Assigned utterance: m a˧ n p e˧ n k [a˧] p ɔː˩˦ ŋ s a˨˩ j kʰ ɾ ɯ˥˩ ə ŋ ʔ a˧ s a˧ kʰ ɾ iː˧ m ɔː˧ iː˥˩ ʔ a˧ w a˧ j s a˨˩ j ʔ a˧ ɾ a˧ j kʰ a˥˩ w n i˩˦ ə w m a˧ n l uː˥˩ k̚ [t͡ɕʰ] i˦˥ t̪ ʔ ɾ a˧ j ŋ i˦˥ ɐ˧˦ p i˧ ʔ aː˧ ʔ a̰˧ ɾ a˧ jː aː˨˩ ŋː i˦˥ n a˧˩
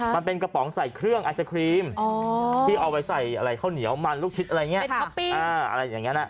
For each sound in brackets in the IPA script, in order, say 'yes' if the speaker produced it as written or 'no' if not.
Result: yes, yes

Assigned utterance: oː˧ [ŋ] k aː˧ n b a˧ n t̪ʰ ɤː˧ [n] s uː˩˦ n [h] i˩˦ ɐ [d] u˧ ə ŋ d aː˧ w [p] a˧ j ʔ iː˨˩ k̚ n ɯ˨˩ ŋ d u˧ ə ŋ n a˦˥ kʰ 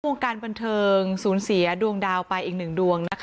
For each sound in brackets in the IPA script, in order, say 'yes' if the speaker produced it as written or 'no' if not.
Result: yes, no, no, yes, yes

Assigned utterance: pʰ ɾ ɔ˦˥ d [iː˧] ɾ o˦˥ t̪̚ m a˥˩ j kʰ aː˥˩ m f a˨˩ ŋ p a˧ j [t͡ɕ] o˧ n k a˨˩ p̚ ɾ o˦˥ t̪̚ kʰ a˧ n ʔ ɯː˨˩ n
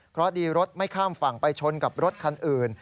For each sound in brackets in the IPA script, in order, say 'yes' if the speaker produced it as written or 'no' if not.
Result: yes, no

